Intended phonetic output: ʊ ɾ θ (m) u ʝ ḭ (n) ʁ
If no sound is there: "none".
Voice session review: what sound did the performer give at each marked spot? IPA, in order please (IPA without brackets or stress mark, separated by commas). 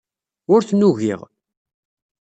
n, none